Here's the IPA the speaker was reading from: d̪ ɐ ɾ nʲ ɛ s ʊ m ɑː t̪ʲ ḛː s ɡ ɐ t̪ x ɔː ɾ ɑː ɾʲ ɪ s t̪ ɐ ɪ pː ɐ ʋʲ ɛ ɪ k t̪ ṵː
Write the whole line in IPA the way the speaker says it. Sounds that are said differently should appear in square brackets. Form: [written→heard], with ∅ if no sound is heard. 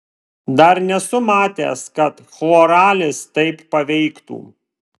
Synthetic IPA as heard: d̪ ɐ ɾ nʲ ɛ s ʊ m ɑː t̪ʲ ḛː s [ɡ→k] ɐ t̪ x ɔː ɾ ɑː [ɾʲ→lʲ] ɪ s t̪ ɐ ɪ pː ɐ ʋʲ ɛ ɪ k t̪ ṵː